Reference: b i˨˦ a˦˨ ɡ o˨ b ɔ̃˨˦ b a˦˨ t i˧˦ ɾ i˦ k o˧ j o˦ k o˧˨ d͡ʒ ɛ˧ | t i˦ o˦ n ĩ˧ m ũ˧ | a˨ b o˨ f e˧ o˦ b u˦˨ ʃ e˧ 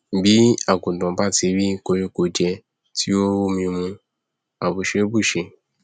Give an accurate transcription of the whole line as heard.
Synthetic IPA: b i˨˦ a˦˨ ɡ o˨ d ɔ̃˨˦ b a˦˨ t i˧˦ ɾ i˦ k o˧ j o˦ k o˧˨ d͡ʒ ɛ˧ | t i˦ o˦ m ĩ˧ m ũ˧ | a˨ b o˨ ʃ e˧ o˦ b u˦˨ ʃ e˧